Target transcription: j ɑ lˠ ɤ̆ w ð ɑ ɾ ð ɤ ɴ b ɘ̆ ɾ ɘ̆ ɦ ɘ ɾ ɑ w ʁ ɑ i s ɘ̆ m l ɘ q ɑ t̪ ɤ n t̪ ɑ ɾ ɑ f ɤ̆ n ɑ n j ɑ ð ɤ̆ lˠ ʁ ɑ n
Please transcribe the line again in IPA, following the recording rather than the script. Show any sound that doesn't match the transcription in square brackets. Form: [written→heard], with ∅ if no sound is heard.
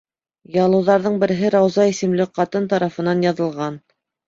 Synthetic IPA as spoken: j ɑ lˠ ɤ̆ w ð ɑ ɾ ð ɤ ɴ b ɘ̆ ɾ ɘ̆ ɦ ɘ ɾ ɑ w [ʁ→z] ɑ i s ɘ̆ m l ɘ q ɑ t̪ ɤ n t̪ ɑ ɾ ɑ f ɤ̆ n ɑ n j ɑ ð ɤ̆ lˠ ʁ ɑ n